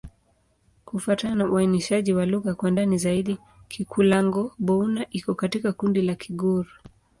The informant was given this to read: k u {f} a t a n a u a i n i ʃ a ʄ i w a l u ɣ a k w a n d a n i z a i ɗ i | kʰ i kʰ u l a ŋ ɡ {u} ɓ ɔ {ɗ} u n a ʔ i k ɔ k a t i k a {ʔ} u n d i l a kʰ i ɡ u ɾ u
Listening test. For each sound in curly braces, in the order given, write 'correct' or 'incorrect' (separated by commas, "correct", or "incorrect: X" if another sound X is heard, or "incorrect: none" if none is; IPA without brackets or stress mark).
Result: correct, incorrect: ɔ, incorrect: none, incorrect: k